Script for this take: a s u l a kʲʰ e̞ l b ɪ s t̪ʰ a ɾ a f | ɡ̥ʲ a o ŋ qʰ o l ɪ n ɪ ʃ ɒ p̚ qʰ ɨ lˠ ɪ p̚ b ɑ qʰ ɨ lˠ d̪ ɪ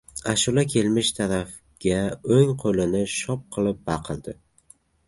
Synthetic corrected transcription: a ʃ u l a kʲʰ e̞ l m ɪ ʃ t̪ʰ a ɾ a f | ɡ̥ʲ a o ŋ qʰ o l ɪ n ɪ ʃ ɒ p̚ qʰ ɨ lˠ ɪ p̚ b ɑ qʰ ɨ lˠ d̪ ɪ